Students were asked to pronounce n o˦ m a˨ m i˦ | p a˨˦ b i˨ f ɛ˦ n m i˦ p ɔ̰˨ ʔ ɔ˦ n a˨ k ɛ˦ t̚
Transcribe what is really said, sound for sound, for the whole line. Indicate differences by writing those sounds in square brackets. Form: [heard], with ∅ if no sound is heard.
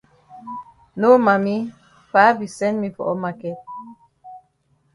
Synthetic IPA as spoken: n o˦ m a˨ m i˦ | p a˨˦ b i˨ [s] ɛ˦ n m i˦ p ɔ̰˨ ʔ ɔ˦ [m] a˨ k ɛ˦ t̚